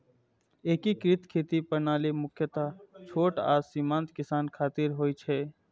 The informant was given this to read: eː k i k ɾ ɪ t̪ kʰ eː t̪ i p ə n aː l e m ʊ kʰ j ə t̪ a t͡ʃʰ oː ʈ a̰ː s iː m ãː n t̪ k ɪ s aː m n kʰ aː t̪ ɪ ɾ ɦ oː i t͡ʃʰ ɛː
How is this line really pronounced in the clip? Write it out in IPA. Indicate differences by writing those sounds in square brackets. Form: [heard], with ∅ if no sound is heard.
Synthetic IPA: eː k i k ɾ ɪ t̪ kʰ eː t̪ i p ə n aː l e m ʊ kʰ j ə t̪ a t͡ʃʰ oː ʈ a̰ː s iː m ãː n t̪ k ɪ s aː [∅] n kʰ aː t̪ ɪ ɾ ɦ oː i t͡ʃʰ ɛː